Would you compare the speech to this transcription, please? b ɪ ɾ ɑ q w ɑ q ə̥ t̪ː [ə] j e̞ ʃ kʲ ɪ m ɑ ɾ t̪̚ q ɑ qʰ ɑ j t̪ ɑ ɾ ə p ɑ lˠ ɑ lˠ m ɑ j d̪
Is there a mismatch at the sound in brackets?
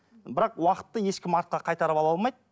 no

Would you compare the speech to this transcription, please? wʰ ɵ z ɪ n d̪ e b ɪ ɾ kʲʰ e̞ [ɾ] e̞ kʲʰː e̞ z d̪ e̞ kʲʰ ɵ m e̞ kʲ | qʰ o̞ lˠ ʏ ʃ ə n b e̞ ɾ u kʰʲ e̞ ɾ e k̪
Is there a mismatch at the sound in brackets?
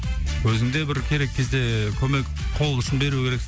no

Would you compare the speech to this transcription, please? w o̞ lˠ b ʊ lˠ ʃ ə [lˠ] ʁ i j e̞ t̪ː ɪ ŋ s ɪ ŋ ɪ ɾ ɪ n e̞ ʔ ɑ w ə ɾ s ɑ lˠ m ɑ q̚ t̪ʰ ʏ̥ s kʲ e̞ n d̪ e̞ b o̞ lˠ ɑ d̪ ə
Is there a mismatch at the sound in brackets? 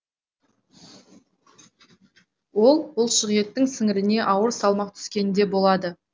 yes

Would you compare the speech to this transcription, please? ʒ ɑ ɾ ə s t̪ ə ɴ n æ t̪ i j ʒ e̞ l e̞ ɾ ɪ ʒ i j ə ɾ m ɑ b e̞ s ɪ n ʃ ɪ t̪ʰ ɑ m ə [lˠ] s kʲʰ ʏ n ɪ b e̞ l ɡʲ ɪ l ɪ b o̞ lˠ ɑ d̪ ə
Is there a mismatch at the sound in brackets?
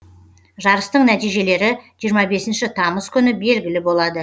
yes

